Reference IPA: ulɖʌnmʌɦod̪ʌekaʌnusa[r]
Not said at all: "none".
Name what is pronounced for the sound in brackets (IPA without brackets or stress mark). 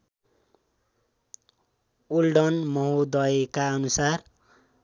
r